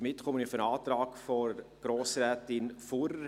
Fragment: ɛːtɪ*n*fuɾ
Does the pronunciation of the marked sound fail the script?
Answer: no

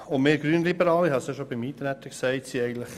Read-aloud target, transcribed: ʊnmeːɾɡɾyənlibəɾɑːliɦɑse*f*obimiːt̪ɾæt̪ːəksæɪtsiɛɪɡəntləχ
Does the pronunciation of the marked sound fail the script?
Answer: yes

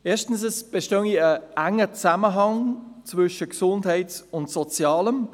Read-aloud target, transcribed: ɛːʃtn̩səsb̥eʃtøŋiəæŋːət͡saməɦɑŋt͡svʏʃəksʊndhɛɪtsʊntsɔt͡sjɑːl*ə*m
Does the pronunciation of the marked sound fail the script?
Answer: no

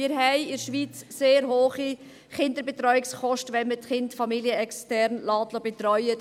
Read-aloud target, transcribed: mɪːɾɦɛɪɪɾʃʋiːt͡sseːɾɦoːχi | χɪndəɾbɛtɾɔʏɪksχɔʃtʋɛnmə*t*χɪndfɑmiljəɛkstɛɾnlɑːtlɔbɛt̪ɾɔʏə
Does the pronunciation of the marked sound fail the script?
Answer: no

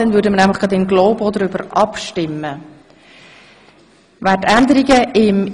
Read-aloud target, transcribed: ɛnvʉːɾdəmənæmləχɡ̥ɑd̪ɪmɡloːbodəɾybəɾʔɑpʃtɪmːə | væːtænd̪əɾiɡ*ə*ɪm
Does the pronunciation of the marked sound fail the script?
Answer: no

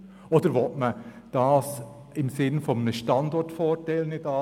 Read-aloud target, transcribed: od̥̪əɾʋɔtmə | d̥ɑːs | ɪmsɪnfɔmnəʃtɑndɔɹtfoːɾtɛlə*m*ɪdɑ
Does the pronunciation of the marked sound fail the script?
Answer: yes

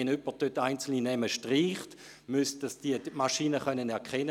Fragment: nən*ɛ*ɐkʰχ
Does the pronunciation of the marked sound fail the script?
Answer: no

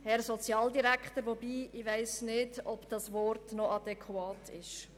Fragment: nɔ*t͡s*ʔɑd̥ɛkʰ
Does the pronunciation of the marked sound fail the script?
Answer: yes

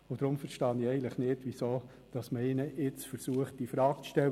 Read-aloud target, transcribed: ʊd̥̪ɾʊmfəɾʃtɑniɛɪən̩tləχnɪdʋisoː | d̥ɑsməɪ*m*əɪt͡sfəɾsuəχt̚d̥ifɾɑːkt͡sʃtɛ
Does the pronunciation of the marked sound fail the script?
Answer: yes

